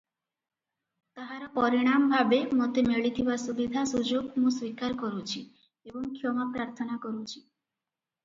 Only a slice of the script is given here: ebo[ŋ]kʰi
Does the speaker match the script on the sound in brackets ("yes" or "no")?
yes